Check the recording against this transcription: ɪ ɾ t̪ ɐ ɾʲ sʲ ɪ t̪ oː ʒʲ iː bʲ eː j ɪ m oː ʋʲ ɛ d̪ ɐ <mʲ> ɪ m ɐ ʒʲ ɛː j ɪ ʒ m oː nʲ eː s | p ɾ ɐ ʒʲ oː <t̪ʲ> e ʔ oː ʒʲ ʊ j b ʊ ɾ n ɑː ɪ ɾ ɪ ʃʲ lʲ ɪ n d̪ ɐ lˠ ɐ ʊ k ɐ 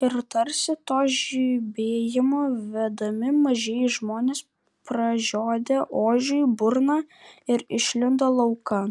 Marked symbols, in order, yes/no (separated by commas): yes, no